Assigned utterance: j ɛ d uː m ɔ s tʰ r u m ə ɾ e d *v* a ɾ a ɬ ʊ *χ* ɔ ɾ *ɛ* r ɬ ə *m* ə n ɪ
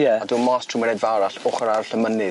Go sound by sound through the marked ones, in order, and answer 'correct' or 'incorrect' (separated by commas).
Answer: correct, correct, incorrect, correct